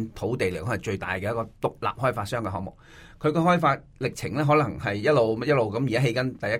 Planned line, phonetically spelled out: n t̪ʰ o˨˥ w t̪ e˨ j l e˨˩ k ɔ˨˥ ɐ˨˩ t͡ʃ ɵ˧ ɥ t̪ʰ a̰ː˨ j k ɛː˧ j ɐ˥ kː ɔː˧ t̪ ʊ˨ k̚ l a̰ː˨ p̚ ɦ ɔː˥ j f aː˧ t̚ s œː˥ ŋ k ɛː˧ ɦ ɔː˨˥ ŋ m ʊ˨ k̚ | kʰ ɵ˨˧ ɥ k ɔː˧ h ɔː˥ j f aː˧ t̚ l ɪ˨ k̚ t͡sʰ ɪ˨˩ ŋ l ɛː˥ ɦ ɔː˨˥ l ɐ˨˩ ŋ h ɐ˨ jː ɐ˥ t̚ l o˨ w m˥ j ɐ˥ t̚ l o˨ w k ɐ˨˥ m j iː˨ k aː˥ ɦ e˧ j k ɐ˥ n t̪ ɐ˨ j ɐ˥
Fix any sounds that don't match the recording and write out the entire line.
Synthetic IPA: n t̪ʰ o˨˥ w t̪ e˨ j l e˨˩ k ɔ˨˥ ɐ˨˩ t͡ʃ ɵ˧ ɥ t̪ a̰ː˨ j k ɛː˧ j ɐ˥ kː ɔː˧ t̪ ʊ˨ k̚ l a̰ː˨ p̚ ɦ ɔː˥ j f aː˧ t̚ s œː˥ ŋ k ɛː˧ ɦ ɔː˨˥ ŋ m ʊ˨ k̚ | kʰ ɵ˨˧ ɥ k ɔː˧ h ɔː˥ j f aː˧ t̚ l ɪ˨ k̚ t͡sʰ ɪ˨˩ ŋ l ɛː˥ ɦ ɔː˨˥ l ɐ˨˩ ŋ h ɐ˨ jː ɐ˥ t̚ l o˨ w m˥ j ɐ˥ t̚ l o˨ w k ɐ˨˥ m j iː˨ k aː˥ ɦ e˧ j k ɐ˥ n t̪ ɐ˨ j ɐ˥